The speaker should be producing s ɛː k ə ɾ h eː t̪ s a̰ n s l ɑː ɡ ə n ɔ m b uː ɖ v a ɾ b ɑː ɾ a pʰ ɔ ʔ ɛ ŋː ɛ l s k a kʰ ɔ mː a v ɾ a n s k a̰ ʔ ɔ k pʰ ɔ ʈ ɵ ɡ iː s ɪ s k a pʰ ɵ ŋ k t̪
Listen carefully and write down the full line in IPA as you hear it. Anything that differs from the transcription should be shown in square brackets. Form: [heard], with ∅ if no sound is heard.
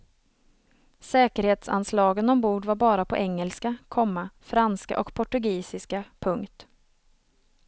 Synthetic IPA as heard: s ɛː k ə ɾ h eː t̪ s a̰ n s l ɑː ɡ ə n ɔ m b uː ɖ v a ɾ b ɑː ɾ a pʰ ɔ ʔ ɛ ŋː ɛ l s k a kʰ ɔ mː a [f] ɾ a n s k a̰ ʔ ɔ k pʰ ɔ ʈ ɵ ɡ iː s ɪ s k a pʰ ɵ ŋ k t̪